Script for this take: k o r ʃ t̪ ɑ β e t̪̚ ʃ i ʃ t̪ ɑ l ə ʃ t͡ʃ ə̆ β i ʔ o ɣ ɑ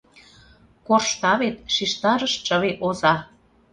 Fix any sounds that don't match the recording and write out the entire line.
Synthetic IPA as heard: k o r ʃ t̪ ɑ β e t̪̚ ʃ i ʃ t̪ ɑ ɾ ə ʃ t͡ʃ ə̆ β e ʔ o z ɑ